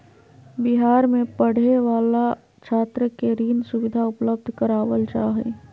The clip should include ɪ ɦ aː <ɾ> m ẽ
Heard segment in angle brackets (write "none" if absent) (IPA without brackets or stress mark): ɾ